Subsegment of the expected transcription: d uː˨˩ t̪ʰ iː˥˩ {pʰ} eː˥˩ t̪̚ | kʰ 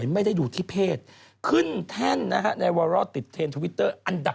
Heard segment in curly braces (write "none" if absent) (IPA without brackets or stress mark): pʰ